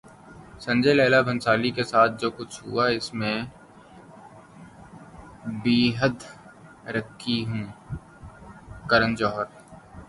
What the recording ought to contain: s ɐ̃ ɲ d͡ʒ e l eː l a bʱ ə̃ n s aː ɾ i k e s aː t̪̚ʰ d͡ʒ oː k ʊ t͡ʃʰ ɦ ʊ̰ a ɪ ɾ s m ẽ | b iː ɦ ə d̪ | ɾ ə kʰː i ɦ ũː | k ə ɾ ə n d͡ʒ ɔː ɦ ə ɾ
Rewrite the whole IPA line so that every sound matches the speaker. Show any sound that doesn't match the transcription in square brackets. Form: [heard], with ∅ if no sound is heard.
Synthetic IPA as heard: s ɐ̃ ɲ d͡ʒ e l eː l a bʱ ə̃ n s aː [l] i k e s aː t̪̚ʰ d͡ʒ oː k ʊ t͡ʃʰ ɦ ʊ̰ a ɪ [∅] s m ẽ | b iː ɦ ə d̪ | ɾ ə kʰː i ɦ ũː | k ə ɾ ə n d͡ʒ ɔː ɦ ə ɾ